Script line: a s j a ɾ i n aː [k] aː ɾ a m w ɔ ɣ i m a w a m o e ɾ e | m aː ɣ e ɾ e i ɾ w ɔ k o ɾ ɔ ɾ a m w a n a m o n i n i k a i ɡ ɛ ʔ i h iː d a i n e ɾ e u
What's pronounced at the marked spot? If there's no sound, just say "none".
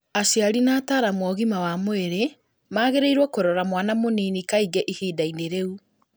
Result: t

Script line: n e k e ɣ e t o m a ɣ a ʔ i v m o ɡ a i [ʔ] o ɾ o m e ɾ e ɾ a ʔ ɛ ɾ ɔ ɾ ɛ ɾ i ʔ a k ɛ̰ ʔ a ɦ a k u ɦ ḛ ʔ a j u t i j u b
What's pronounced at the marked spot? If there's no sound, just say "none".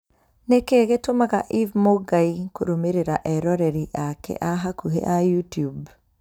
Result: k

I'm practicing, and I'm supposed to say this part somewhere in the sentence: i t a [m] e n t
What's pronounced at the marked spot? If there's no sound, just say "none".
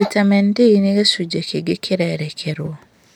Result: m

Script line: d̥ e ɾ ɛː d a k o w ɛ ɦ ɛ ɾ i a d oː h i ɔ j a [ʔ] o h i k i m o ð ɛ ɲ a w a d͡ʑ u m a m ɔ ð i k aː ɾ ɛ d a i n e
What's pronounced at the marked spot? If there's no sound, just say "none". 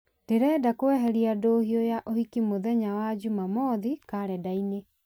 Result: ʔ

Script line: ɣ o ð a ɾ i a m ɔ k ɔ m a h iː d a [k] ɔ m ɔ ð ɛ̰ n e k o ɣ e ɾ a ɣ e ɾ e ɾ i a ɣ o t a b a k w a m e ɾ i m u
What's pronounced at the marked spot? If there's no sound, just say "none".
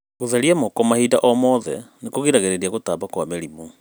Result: ʔ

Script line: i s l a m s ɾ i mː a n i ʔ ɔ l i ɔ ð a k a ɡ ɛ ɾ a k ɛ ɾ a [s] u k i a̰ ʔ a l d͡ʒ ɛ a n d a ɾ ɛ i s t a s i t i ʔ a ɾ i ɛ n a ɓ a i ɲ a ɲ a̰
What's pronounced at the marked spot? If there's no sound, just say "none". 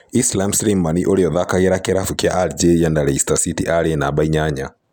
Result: f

